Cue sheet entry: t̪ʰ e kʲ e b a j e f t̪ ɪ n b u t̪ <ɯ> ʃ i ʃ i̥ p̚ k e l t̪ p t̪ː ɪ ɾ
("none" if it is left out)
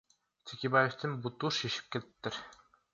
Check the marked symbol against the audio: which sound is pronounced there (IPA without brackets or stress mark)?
u